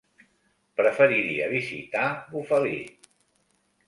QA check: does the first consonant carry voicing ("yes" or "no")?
no